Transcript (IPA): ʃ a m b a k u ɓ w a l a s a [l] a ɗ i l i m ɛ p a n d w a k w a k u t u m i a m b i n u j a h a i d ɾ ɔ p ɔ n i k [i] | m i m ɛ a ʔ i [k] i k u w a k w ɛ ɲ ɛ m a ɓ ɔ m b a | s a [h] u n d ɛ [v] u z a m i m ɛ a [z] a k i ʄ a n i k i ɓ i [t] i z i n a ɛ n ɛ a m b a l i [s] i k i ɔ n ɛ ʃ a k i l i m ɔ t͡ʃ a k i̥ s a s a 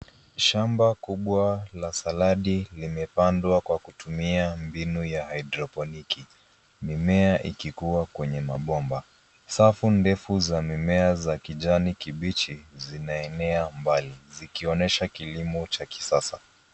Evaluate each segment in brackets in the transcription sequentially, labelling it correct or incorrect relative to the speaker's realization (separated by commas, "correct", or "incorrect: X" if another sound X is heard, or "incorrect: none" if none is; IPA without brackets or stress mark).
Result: correct, correct, correct, incorrect: f, incorrect: f, correct, incorrect: t͡ʃ, incorrect: z